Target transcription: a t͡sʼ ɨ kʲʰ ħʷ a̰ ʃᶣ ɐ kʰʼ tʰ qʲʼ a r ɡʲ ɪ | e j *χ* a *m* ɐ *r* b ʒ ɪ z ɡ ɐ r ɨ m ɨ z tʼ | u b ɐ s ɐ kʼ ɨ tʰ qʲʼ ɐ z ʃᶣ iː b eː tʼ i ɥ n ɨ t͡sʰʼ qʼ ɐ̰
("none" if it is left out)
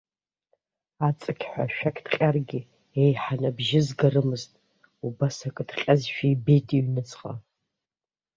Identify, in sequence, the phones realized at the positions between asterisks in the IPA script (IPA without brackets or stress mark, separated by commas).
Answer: ħ, n, none